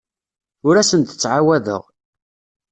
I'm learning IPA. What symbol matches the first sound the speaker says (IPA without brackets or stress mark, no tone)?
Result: ʊ